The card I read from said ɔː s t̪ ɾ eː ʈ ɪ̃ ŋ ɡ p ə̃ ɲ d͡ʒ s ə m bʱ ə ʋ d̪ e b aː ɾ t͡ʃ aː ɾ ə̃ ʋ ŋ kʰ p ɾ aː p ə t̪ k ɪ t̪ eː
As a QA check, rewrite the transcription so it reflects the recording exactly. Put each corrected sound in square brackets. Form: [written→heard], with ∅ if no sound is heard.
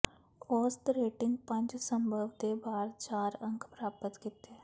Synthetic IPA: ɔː s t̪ ɾ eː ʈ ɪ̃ ŋ ɡ p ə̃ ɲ d͡ʒ s ə m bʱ ə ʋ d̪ e b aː ɾ t͡ʃ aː ɾ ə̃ [ʋ→∅] ŋ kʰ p ɾ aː p ə t̪ k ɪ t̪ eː